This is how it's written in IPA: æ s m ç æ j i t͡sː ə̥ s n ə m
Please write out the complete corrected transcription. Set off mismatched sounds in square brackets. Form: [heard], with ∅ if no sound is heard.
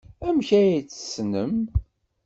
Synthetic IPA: æ [∅] m ç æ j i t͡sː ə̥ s n ə m